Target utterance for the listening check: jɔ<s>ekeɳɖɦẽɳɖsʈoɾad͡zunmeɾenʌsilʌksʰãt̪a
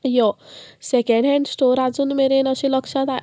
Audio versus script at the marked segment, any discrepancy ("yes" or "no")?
no